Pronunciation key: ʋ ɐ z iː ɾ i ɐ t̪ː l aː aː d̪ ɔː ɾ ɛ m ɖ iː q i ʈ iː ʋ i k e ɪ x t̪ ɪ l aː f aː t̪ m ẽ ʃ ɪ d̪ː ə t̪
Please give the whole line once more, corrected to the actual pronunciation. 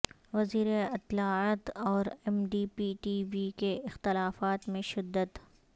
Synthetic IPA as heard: ʋ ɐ z iː ɾ e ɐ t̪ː l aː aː t̪ ɔː ɾ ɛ m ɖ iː p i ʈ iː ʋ i k e ɪ x t̪ ɪ l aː f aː t̪ m ẽ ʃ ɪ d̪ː ə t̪